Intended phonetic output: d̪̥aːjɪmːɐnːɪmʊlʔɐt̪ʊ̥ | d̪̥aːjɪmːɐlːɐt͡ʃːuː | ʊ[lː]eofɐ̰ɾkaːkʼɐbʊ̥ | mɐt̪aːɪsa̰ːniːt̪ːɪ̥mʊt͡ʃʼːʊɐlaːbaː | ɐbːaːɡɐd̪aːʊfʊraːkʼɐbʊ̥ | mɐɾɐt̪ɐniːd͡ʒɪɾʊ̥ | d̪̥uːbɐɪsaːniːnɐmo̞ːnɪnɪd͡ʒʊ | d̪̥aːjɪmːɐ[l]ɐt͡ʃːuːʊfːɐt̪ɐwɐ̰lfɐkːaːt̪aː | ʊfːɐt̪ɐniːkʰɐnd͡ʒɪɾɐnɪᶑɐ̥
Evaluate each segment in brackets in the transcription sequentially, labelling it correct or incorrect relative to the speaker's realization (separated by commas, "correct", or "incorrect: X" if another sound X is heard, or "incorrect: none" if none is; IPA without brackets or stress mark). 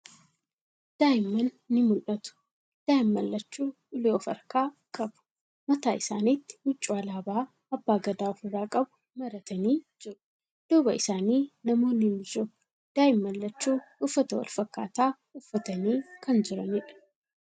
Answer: incorrect: l, incorrect: lː